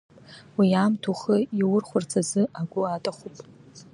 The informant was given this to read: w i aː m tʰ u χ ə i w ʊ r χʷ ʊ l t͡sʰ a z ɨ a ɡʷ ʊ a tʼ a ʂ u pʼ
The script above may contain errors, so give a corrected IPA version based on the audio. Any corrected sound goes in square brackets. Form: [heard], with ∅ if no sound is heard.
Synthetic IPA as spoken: w i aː m tʰ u χ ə i w ʊ r χʷ ʊ [r] t͡sʰ a z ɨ a ɡʷ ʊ a tʼ a [χ] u pʼ